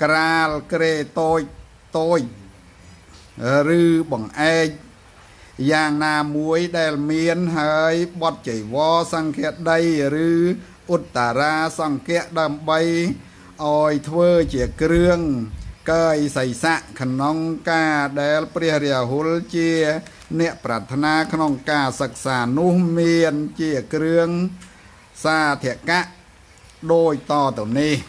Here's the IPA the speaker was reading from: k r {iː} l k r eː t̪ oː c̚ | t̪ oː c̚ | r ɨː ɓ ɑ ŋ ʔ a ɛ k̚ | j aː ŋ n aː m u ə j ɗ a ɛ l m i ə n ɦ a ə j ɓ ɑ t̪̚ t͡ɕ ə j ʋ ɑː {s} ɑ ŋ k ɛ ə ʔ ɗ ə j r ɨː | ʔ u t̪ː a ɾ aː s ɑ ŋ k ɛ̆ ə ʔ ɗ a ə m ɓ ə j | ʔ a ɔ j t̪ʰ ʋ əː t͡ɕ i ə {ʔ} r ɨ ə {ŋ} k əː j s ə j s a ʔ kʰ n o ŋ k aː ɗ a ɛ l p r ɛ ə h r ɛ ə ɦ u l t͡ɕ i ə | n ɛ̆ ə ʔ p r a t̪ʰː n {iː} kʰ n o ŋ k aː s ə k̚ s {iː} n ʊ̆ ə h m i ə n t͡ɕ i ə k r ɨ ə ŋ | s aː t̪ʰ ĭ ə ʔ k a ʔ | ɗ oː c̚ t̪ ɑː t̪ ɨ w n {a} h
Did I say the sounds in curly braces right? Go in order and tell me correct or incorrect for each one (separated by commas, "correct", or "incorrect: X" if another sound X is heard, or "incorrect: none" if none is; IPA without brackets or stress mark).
incorrect: aː, correct, incorrect: k, correct, incorrect: aː, incorrect: aː, incorrect: i